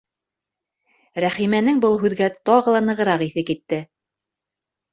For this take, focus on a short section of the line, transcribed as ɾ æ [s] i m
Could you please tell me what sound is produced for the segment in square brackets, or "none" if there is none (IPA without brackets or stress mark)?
χ